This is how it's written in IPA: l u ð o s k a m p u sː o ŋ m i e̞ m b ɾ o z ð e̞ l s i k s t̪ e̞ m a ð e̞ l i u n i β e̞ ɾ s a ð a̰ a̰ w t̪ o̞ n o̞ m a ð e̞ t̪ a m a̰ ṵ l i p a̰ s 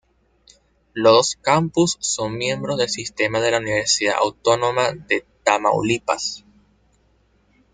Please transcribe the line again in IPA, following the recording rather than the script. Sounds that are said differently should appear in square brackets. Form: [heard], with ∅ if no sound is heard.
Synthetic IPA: l [o] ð o s k a m p u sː o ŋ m [j] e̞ m b ɾ o z ð e̞ l s i [∅] s t̪ e̞ m a ð e̞ l [a] u n i β e̞ ɾ s [i] ð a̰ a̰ w t̪ o̞ n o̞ m a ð e̞ t̪ a m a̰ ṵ l i p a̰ s